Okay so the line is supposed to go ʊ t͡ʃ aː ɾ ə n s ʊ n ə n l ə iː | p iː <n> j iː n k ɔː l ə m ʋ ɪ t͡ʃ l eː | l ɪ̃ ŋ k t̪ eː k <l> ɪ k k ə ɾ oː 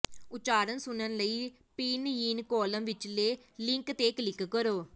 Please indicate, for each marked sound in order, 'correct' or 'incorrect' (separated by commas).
correct, correct